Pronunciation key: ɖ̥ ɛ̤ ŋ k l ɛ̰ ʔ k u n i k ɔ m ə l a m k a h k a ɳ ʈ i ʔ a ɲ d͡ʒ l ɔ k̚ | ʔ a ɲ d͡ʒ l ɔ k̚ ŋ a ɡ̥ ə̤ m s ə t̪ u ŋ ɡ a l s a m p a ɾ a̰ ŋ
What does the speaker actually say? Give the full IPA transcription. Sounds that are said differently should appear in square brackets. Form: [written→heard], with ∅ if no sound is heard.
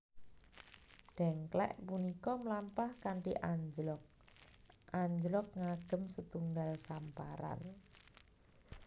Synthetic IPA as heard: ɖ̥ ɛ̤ ŋ k l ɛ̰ ʔ [k→p] u n i k ɔ m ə l a m [k→p] a h k a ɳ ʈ i ʔ a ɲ d͡ʒ l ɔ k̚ | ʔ a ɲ d͡ʒ l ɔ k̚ ŋ a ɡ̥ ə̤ m s ə t̪ u ŋ ɡ a l s a m p a ɾ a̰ [ŋ→n]